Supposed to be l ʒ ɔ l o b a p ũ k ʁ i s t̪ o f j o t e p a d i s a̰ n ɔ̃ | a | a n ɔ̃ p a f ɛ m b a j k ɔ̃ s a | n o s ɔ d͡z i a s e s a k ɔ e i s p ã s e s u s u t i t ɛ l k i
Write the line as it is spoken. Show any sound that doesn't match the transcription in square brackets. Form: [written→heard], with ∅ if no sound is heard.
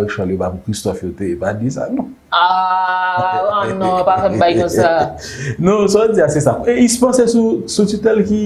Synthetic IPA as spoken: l [ʒ→ʃ] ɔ l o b a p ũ k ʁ i s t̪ [o→ɔ] f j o t e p a d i s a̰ n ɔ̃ | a | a n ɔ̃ p a f ɛ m b a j k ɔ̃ s a | n o s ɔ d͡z i a s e s a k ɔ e i s p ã s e s u s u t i t ɛ l k i